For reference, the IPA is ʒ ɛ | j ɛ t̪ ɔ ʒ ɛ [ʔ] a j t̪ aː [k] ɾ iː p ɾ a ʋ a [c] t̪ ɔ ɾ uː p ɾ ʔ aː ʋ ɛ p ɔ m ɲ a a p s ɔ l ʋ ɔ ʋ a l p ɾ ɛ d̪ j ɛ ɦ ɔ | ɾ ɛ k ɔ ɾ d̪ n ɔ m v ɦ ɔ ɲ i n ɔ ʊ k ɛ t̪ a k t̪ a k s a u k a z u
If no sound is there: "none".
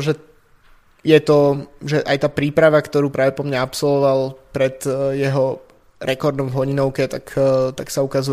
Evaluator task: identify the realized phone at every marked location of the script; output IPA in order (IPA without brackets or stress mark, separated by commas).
ʔ, p, k